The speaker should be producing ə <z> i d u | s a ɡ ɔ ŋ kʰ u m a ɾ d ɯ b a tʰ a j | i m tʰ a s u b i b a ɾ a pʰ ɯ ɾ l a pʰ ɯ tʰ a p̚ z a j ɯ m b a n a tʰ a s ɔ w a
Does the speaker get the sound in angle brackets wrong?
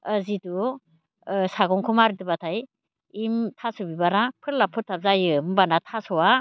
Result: no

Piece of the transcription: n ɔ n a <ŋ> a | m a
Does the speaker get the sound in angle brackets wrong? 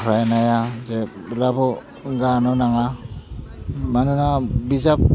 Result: no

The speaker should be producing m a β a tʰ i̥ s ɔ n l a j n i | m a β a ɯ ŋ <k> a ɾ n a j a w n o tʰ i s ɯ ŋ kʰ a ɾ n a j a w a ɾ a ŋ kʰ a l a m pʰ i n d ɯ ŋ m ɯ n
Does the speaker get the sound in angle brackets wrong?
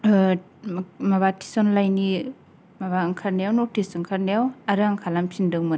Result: yes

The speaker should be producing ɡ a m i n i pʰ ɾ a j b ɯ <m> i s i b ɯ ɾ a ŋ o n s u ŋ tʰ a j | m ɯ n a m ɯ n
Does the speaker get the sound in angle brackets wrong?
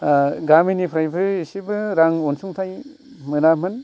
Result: yes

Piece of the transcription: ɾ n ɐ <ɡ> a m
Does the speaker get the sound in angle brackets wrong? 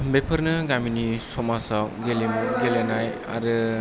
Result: no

